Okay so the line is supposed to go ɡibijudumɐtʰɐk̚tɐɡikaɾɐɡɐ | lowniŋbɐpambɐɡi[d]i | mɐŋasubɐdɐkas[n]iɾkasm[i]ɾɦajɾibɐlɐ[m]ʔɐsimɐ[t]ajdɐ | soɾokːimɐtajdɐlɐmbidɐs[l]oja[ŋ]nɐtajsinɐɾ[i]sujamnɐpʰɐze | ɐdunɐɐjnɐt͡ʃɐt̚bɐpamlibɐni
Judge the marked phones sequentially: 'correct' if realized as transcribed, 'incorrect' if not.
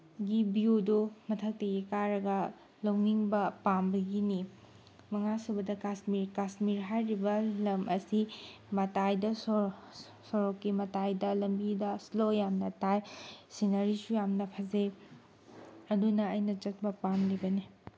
incorrect: n, incorrect: m, correct, correct, correct, correct, incorrect: m, correct

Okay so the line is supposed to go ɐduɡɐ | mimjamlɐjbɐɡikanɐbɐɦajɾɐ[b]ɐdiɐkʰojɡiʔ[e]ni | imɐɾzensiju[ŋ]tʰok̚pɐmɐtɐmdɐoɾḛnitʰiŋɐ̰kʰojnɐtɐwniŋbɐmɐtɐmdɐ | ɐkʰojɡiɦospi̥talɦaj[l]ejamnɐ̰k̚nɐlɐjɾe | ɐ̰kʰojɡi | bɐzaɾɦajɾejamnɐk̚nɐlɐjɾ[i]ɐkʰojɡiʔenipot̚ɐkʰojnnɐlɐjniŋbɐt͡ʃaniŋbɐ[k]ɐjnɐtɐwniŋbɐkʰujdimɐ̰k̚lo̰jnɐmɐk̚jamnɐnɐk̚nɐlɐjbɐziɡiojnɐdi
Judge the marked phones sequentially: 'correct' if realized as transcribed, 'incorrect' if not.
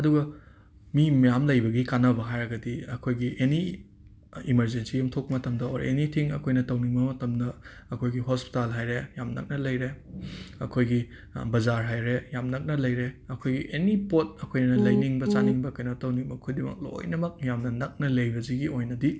incorrect: ɡ, correct, incorrect: m, incorrect: ɾ, incorrect: e, correct

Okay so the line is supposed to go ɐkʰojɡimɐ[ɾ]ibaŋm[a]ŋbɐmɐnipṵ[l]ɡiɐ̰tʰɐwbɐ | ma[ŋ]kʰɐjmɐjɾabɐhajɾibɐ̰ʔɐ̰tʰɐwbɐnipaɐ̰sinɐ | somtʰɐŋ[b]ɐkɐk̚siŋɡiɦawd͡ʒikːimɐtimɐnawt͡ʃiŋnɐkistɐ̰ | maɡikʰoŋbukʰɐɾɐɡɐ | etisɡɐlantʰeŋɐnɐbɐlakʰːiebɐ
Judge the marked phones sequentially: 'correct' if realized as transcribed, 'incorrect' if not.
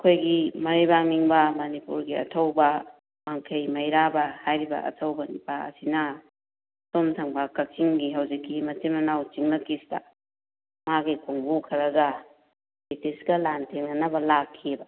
correct, incorrect: i, incorrect: ɾ, correct, correct

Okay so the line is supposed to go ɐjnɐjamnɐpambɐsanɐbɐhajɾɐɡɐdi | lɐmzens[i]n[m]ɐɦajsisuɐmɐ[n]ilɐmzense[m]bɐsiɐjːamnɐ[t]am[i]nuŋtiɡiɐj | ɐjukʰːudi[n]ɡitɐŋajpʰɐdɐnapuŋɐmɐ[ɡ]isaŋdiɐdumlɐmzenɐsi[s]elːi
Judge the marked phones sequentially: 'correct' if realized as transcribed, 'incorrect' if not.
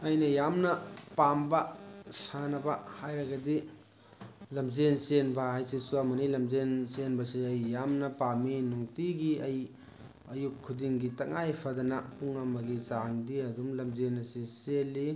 incorrect: e, incorrect: b, correct, incorrect: n, incorrect: p, correct, incorrect: ŋ, correct, correct

